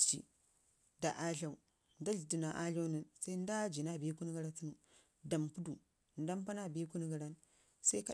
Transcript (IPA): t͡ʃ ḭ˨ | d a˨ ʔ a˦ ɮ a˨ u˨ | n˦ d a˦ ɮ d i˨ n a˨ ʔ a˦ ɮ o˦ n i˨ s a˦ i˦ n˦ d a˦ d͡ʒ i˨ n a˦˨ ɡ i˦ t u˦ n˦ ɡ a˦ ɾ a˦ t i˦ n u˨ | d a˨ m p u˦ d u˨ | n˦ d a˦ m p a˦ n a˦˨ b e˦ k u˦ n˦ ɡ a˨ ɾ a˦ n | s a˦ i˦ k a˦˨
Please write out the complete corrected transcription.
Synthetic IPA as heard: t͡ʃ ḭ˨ | d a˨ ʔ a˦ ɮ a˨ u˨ | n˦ d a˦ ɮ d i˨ n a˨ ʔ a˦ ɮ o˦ n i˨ s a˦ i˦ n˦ d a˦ d͡ʒ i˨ n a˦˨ b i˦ k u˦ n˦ ɡ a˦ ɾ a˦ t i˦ n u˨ | d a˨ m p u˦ d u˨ | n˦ d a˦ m p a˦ n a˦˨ b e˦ k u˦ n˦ ɡ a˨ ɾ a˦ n | s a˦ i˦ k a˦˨